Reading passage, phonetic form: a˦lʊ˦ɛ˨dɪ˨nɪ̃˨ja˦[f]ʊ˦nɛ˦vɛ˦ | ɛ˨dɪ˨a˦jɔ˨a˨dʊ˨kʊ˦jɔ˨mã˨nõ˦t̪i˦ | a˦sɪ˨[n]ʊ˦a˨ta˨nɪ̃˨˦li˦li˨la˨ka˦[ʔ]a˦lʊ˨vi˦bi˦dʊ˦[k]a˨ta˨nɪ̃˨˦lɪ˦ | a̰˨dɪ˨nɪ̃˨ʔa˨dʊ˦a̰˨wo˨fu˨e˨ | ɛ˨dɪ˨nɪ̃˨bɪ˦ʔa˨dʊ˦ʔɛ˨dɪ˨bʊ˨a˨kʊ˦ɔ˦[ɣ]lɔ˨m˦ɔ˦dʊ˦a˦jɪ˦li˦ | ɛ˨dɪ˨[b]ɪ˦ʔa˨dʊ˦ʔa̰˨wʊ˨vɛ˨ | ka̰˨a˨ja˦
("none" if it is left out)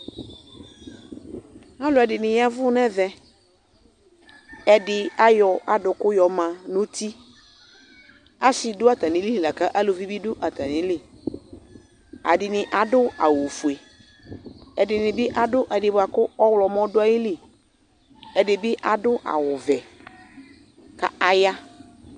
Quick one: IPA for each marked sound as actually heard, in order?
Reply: v, d, ʔ, ʔ, w, b

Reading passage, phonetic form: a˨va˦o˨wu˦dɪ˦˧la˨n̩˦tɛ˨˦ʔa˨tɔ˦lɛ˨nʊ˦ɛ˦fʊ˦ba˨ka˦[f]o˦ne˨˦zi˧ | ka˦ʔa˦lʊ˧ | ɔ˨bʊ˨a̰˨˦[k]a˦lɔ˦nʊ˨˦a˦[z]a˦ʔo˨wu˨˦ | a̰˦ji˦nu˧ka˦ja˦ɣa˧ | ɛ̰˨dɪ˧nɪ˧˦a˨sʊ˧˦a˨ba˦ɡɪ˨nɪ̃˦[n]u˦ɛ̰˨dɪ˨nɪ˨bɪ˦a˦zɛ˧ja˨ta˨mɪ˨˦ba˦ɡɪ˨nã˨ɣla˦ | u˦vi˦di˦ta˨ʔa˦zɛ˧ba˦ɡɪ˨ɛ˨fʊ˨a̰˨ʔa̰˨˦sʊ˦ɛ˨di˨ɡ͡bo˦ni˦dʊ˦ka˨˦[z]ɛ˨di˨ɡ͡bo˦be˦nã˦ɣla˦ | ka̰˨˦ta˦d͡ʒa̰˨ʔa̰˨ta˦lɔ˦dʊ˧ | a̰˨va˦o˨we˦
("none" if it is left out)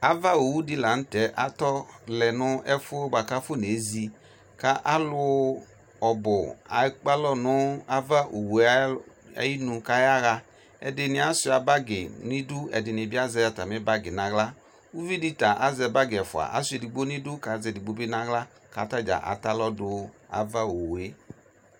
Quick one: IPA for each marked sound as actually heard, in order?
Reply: f, k͡p, v, d, z

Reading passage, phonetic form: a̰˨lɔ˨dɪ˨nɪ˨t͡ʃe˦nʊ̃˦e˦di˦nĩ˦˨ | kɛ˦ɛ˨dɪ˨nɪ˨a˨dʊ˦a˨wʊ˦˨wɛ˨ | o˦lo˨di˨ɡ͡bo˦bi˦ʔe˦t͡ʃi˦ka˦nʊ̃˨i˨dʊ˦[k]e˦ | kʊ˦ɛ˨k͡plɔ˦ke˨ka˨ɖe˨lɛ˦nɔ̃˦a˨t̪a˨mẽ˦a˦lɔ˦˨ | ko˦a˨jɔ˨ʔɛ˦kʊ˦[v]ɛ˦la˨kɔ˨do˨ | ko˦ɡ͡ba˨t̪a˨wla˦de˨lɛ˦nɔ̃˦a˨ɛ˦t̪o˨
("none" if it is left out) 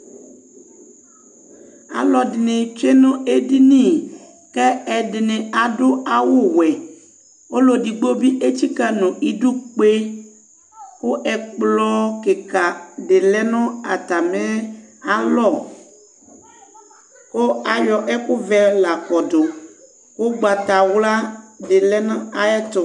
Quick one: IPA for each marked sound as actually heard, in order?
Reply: k͡p, v

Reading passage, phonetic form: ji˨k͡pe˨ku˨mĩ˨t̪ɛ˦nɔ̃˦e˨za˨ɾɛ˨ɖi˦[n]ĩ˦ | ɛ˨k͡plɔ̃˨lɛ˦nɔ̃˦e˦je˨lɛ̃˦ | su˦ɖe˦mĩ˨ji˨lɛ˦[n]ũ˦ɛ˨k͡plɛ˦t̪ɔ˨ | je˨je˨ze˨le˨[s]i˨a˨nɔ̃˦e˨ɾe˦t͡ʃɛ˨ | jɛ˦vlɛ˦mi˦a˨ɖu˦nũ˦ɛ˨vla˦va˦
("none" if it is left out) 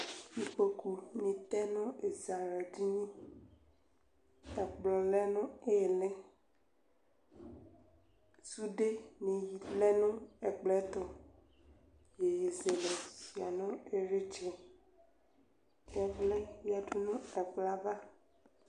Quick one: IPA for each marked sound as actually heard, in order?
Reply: ɲ, n, s

